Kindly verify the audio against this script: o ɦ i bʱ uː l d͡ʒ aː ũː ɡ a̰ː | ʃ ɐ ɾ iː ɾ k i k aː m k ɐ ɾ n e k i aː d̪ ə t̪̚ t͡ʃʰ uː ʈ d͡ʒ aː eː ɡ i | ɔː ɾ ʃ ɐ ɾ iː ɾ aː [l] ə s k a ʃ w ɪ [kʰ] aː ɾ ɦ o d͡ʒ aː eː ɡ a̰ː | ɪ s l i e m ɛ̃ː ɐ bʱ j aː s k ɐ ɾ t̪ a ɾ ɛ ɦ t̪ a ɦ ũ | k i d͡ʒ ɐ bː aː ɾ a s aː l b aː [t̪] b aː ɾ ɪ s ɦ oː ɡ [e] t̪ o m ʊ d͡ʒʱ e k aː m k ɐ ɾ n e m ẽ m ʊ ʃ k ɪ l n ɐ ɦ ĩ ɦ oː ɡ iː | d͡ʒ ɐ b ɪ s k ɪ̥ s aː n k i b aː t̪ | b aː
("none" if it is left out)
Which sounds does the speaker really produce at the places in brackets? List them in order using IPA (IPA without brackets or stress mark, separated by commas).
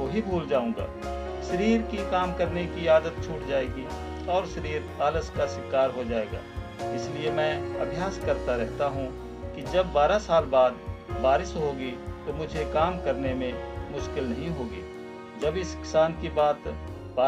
l, k, d̪, i